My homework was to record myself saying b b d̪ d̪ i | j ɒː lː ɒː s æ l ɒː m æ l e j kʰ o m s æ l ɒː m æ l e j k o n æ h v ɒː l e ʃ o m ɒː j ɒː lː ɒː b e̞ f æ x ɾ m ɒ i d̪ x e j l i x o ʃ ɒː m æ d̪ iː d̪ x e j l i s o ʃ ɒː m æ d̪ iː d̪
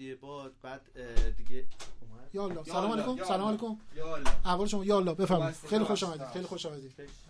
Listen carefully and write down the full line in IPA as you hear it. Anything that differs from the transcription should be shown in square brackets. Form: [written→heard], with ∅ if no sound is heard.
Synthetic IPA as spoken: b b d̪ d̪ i | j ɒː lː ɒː s æ l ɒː m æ l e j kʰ o m s æ l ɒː m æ l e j k o [n→m] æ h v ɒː l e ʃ o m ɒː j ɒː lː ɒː b e̞ f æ [x→∅] ɾ m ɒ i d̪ x e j l i x o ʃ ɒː m æ d̪ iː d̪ x e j l i [s→x] o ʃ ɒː m æ d̪ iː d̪